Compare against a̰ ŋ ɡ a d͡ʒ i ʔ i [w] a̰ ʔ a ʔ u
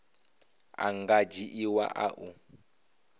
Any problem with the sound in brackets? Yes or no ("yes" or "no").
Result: no